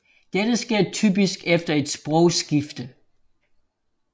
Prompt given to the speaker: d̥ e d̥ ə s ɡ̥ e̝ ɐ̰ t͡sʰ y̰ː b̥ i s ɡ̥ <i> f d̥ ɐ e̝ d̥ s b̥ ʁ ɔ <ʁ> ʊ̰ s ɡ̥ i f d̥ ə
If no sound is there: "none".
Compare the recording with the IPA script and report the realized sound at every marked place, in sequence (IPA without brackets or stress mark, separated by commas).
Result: e, none